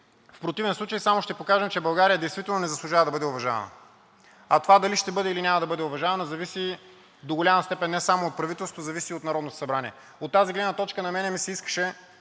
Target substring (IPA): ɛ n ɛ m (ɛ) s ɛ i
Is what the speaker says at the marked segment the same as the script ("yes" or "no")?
no